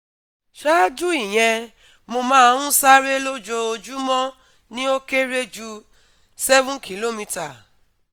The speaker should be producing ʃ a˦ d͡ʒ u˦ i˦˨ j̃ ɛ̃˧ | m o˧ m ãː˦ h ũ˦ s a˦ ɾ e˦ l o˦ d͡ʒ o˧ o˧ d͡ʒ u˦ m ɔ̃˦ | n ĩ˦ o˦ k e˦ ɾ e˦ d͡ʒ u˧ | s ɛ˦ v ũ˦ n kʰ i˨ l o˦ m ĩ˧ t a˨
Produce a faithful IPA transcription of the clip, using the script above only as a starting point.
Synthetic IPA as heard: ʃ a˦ d͡ʒ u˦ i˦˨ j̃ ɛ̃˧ | m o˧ m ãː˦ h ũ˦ s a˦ ɾ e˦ l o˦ d͡ʒ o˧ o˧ d͡ʒ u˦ m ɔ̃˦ | n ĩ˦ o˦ k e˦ ɾ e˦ d͡ʒ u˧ | s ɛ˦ v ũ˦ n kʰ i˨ l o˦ m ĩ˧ t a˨